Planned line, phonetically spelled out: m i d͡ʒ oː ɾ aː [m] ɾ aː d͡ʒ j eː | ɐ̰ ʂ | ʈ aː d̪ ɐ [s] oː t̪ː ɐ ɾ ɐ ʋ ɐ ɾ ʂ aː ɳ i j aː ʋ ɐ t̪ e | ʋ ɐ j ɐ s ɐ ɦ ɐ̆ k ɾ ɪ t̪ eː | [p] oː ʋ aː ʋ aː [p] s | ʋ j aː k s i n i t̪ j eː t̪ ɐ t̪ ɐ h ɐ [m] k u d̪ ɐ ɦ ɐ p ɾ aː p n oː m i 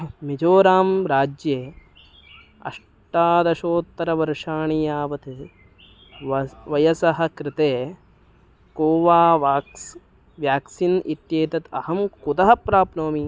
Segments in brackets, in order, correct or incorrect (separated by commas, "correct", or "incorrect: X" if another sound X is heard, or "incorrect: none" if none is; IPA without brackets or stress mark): correct, incorrect: ʃ, incorrect: k, incorrect: k, correct